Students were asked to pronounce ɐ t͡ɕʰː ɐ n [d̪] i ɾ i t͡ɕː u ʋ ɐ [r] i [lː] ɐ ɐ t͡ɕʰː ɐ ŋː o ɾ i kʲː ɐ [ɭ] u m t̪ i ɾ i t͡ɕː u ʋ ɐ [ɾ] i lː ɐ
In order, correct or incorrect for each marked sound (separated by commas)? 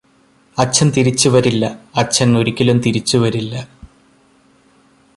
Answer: incorrect, incorrect, correct, incorrect, correct